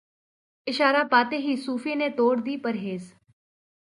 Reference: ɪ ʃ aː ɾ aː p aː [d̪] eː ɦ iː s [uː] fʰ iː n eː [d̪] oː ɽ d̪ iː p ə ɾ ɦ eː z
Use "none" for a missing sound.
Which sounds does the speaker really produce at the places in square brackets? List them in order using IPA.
t̪, uː, t̪

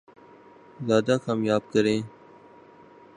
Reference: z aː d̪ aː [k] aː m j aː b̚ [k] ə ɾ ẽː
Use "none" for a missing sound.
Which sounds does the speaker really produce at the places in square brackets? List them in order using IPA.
k, k

